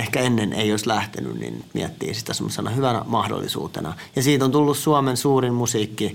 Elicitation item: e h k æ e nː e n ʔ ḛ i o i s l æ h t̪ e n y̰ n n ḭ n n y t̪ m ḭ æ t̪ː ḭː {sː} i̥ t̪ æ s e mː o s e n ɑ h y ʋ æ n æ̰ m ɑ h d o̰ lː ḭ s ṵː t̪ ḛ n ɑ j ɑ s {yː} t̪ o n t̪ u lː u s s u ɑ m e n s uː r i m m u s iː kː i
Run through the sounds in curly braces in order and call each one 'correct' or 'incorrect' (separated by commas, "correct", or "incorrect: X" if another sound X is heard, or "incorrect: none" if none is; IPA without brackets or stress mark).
incorrect: s, incorrect: iː